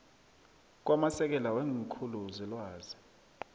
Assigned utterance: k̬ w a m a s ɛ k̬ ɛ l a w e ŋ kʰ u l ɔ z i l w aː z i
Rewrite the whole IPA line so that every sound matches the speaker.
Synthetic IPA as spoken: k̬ w a m a s ɛ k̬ ɛ l a w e ŋ kʰ u l u z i l w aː z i